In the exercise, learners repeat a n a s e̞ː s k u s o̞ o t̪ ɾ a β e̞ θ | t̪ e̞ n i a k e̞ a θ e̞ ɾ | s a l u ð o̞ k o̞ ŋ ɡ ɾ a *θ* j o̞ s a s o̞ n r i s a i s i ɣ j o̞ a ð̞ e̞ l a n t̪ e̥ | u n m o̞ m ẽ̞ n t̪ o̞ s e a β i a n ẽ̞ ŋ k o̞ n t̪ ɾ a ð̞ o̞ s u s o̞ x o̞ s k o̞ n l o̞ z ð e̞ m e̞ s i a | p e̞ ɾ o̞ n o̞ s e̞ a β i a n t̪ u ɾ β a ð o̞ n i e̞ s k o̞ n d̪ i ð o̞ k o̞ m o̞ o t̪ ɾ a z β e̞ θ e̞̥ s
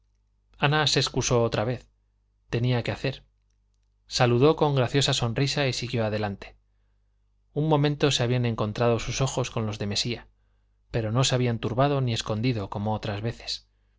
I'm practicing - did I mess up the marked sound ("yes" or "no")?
no